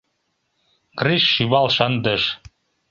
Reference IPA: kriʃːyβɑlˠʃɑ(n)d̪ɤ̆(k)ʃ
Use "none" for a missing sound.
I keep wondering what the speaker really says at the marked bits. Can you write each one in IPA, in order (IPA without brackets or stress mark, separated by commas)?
n, none